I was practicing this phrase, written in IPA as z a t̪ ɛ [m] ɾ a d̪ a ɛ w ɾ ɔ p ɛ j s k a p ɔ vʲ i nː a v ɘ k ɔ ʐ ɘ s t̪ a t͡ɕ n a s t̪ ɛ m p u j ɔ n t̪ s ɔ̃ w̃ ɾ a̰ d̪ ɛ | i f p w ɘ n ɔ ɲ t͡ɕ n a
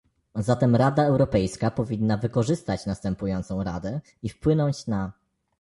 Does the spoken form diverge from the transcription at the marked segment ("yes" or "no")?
no